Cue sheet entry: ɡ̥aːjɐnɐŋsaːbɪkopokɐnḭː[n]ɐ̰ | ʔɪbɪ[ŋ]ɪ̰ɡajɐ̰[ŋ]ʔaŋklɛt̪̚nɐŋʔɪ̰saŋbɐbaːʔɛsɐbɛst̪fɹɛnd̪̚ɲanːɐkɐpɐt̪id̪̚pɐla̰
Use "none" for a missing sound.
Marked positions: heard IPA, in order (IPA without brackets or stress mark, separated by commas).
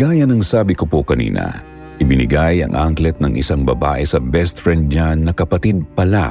n, n, ŋ